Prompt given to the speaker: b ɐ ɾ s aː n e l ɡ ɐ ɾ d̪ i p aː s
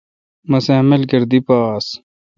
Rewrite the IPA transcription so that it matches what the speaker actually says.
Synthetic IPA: m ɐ s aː m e l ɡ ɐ ɾ d̪ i p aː s